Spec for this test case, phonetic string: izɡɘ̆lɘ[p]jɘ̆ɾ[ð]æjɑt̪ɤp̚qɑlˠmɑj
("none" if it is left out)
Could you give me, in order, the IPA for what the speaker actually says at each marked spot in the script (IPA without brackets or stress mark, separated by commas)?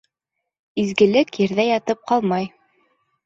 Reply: k, ð